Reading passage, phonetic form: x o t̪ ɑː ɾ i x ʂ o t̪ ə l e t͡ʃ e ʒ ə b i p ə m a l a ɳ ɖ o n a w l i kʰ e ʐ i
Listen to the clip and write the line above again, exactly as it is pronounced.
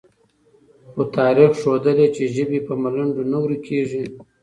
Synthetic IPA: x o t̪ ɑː ɾ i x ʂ o d̪ ə l e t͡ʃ e ʒ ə b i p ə m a l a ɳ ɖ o n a w ɾ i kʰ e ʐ i